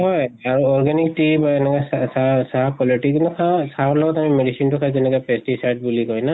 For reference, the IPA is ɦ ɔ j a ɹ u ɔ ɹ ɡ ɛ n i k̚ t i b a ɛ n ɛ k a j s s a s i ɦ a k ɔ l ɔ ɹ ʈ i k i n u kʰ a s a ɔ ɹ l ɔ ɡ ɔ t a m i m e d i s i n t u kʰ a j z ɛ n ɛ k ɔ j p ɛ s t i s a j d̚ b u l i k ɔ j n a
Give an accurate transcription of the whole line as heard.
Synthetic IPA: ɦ ɔ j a ɹ u ɔ ɹ ɡ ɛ n i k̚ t i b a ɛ n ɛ k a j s s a s a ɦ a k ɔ l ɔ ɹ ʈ i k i n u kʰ a s a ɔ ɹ l ɔ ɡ ɔ t a m i m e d i s i n t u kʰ a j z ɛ n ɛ k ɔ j p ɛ s t i s a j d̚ b u l i k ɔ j n a